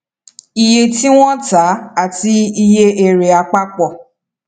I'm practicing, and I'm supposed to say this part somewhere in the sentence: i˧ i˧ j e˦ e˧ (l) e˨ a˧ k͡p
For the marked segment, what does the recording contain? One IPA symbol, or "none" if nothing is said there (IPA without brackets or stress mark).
ɾ